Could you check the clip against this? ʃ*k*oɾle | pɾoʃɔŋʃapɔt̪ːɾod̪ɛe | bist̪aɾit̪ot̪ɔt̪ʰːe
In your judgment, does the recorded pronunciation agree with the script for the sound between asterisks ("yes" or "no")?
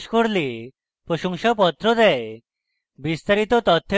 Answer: yes